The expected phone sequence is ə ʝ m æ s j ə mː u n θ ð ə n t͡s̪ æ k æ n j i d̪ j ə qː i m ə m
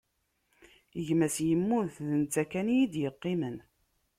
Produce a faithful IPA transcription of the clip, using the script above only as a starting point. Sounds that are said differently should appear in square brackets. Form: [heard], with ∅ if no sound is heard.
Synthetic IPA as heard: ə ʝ m æ s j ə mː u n θ ð ə n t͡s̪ æ k æ n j i d̪ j ə qː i m ə [n]